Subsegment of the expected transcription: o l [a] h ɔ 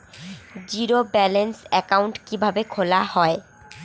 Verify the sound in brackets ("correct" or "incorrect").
correct